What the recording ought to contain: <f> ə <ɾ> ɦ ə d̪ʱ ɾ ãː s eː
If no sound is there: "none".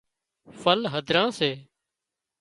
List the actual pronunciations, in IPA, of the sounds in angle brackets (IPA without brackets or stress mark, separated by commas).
f, l